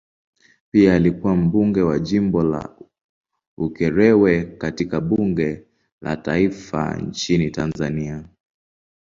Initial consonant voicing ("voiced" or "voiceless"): voiceless